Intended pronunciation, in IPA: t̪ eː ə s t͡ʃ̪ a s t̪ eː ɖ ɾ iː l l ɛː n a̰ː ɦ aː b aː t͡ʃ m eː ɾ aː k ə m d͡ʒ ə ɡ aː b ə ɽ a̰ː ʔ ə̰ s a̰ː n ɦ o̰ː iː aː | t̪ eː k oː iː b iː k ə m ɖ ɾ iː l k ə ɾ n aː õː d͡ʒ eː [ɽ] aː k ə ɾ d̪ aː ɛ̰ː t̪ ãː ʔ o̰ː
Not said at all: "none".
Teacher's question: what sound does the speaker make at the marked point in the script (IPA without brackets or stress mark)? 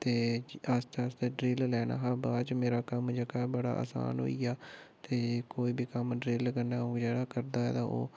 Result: ɽ